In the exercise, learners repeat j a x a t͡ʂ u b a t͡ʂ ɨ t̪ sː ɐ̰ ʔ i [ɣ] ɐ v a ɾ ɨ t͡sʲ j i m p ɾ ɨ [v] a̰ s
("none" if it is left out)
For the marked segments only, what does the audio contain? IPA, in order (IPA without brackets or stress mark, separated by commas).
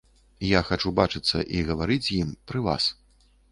ɣ, v